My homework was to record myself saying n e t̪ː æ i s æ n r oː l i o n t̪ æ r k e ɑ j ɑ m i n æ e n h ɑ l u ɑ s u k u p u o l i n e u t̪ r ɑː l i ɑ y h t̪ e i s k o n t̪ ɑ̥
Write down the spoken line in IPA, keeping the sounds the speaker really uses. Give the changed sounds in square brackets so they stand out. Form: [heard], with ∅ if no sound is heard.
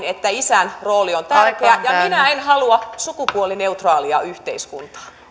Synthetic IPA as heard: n e t̪ː æ i s æ n r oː l i o n t̪ æ r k e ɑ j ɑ m i n æ e n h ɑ l u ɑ s u k u p u o l i n e u t̪ r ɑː l i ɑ y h t̪ e i s k [u] n t̪ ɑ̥